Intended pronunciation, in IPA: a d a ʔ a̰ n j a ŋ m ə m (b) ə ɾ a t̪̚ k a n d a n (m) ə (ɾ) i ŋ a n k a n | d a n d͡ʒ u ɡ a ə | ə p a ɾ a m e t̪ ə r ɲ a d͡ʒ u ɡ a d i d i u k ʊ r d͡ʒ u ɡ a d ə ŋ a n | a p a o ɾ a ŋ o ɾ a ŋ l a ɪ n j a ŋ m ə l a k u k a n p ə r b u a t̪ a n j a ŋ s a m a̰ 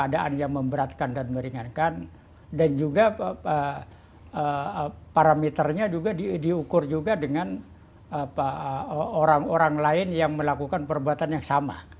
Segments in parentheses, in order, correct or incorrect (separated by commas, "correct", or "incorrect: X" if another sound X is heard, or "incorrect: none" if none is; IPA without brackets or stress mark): correct, correct, correct